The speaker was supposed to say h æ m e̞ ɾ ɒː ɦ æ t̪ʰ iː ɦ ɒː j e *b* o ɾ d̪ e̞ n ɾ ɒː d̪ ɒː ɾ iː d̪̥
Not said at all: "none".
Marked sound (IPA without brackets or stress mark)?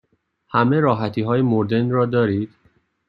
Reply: m